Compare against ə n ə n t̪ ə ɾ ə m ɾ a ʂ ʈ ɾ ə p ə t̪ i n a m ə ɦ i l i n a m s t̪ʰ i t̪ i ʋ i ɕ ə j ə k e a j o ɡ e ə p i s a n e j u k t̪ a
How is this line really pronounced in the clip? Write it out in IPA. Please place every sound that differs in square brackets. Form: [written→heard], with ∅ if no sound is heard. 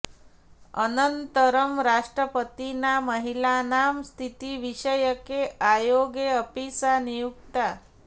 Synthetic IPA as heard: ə n ə n t̪ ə ɾ ə m ɾ a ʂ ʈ ɾ ə p ə t̪ i n a m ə ɦ i l [i→a] n a m s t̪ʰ i t̪ i ʋ i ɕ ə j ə k e a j o ɡ e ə p i s a n [e→i] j u k t̪ a